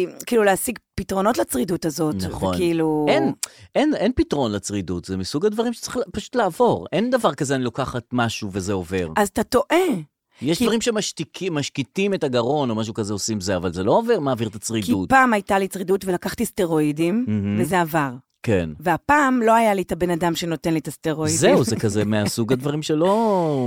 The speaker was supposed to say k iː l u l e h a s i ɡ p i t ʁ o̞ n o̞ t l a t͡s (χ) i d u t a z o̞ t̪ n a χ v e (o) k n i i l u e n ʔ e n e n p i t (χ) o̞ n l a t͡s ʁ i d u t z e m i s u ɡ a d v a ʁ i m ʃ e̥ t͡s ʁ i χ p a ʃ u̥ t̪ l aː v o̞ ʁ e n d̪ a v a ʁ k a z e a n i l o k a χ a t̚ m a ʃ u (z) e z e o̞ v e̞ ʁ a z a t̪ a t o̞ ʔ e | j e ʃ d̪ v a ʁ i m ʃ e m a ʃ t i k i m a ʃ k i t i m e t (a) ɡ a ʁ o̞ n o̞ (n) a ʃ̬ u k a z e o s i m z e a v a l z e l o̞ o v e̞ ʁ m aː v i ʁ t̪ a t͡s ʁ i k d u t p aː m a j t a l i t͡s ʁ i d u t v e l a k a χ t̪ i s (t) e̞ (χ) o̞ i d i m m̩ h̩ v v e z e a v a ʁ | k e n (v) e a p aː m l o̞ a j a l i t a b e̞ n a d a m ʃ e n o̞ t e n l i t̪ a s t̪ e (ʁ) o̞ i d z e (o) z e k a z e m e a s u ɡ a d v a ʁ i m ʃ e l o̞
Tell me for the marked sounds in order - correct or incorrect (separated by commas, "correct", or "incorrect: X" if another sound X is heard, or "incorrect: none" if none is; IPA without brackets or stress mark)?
incorrect: ʁ, correct, incorrect: ʁ, incorrect: v, correct, incorrect: m, correct, incorrect: ʁ, correct, correct, incorrect: u